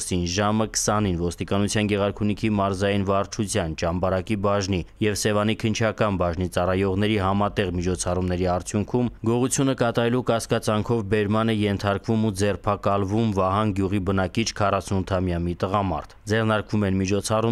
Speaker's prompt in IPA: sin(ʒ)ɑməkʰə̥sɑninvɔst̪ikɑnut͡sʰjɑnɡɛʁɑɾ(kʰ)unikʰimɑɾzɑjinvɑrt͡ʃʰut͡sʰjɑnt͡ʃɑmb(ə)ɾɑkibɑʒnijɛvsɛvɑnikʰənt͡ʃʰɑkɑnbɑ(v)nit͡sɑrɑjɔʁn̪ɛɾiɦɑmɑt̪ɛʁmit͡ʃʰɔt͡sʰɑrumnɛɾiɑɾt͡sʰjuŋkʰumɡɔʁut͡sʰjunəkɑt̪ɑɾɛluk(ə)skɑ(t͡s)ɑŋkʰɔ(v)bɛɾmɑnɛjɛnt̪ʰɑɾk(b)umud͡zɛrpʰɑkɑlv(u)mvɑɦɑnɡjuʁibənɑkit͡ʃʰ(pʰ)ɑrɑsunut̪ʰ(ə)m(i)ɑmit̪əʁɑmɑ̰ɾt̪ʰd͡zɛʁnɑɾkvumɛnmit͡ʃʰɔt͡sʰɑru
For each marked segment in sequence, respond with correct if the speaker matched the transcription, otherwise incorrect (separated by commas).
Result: correct, correct, incorrect, incorrect, incorrect, correct, correct, incorrect, correct, incorrect, incorrect, incorrect